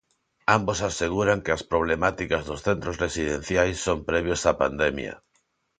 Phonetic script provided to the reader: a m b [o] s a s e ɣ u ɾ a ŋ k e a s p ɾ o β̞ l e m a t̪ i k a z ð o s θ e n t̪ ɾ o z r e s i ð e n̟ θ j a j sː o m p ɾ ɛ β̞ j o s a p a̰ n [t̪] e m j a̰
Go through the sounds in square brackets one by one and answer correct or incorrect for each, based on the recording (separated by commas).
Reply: correct, incorrect